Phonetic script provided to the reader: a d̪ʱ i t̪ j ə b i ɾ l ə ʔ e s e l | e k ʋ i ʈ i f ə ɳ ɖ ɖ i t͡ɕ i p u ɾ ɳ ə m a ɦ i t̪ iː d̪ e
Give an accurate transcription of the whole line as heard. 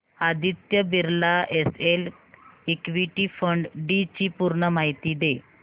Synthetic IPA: a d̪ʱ i t̪ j ə b i ɾ l a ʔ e s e l | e k ʋ i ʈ i f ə ɳ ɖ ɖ i t͡ɕ i p u ɾ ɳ ə m a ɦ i t̪ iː d̪ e